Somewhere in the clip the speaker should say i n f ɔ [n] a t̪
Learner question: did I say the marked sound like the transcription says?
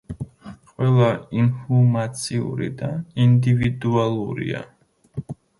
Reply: no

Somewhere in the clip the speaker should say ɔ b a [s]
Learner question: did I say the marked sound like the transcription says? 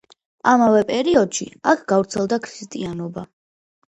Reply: no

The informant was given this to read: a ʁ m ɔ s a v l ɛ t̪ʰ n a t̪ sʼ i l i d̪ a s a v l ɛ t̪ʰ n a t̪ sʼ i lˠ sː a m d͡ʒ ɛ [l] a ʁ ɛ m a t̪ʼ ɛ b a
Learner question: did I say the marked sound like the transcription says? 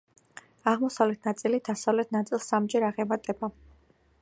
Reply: no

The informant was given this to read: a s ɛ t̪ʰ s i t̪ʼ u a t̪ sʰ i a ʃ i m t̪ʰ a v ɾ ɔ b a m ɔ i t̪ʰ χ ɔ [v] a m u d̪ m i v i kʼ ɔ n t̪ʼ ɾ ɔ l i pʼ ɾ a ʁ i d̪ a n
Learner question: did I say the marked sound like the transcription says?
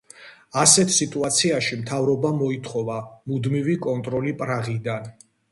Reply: yes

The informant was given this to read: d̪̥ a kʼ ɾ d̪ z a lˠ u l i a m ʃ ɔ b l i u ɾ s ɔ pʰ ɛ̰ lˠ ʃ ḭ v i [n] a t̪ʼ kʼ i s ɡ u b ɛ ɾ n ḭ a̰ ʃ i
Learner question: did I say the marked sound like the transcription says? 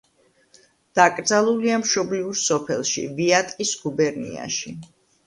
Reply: no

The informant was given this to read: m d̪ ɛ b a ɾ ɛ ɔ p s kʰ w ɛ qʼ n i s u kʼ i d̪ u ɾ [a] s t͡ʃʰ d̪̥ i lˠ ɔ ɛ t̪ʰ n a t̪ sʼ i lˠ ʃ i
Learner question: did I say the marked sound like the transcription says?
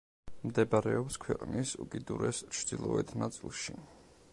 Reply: no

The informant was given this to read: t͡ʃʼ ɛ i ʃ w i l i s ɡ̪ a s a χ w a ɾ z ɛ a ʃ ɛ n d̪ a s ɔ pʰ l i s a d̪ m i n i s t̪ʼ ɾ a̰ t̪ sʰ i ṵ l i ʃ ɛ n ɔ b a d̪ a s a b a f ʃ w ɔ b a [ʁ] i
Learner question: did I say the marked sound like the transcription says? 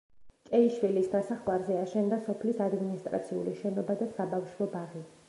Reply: yes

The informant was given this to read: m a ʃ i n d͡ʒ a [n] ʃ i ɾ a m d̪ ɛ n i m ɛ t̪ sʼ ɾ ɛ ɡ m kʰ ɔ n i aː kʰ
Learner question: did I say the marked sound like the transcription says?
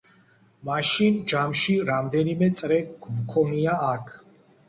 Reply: no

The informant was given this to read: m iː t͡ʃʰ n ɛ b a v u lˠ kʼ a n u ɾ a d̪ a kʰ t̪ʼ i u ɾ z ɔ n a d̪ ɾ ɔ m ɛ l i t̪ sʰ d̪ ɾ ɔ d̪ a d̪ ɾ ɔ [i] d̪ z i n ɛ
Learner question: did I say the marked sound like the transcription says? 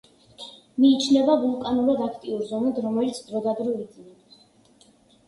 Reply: yes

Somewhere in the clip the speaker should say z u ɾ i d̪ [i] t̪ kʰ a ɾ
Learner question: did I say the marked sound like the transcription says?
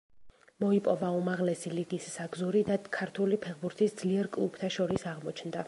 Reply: no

